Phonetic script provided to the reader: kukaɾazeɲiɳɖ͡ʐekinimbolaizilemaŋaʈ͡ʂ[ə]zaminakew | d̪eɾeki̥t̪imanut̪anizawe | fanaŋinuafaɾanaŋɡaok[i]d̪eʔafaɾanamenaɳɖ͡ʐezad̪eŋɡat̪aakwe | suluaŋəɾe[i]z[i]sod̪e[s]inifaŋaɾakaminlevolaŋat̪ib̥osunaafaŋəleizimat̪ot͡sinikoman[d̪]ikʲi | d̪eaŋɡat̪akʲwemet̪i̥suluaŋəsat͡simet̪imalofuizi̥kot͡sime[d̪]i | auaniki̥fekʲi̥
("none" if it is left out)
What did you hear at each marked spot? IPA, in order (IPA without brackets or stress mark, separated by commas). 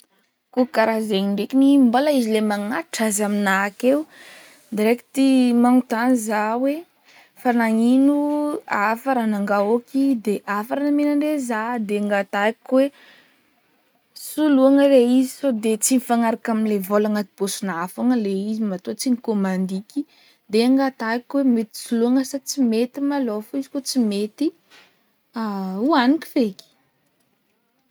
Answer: a, i, i, i, t͡s, d̪, t̪